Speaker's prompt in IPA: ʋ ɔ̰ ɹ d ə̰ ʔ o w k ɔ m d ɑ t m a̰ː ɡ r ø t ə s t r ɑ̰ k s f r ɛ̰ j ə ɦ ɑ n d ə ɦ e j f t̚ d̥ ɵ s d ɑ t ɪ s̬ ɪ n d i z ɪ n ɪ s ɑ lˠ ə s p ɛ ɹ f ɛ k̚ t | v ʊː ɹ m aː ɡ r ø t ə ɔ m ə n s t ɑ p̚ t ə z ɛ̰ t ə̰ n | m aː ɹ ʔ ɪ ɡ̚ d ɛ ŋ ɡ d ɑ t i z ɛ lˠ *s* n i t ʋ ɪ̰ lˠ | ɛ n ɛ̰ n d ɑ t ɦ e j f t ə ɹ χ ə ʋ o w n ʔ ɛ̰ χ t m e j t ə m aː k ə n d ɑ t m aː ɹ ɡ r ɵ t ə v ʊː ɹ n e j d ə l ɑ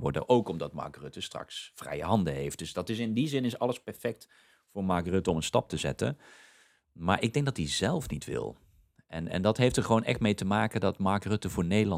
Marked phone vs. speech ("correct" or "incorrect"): incorrect